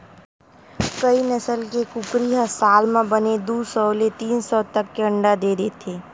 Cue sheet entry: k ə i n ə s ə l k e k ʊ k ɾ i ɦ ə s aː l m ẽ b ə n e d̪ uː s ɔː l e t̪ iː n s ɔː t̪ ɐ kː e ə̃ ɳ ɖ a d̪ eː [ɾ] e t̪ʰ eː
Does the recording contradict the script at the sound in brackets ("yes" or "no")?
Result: no